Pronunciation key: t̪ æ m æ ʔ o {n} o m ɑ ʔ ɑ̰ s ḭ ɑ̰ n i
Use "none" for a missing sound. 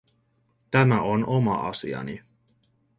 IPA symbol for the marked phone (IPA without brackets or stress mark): n